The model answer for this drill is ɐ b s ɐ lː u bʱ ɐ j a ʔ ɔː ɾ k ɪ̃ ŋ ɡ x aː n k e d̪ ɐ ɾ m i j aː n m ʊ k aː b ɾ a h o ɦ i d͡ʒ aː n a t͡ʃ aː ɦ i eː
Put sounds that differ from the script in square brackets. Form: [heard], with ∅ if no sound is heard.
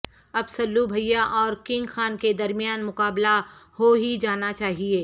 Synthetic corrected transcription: ɐ b s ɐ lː u bʱ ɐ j a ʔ ɔː ɾ k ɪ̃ ŋ ɡ x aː n k e d̪ ɐ ɾ m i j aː n m ʊ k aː b [l] a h o ɦ i d͡ʒ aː n a t͡ʃ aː ɦ i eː